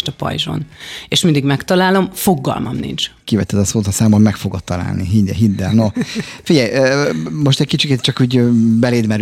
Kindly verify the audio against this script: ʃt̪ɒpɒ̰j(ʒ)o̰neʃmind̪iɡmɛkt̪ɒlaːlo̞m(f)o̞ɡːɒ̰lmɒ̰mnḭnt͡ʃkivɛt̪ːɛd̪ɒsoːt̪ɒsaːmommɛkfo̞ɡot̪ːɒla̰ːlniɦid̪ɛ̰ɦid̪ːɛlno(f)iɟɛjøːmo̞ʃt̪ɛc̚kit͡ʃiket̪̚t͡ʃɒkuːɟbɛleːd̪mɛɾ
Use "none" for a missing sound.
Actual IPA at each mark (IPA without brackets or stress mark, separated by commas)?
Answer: ʒ, f, f